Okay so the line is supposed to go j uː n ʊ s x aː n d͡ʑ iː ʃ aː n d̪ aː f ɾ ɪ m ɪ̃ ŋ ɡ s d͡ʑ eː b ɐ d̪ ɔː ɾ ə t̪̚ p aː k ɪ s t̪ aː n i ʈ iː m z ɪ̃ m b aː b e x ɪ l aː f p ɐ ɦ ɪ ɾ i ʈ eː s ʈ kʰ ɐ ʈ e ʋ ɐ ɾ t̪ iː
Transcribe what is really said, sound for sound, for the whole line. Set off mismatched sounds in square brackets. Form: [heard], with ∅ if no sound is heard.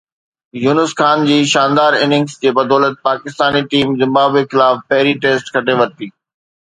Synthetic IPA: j uː n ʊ s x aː n d͡ʑ iː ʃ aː n d̪ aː [∅] ɾ ɪ [n] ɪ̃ ŋ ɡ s d͡ʑ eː b ɐ d̪ ɔː [l] ə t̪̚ p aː k ɪ s t̪ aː n i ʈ iː m z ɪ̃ m b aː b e x ɪ l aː f p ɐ ɦ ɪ ɾ i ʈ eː s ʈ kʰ ɐ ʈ e ʋ ɐ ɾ t̪ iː